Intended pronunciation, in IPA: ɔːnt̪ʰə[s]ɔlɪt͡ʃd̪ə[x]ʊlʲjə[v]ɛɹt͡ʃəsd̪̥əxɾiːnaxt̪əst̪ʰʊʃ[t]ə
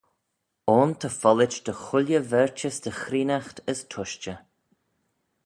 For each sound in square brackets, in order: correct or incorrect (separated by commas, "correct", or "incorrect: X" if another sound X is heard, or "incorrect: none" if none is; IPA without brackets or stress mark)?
incorrect: f, correct, correct, incorrect: t͡ʃ